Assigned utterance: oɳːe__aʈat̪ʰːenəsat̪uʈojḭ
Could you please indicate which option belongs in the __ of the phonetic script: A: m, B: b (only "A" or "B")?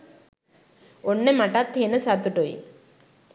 A